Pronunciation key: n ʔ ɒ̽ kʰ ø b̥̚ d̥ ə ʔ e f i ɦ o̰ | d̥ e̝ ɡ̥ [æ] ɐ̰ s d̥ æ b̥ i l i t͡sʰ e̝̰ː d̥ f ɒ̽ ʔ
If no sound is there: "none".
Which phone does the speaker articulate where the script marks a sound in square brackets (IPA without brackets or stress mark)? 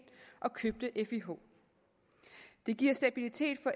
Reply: i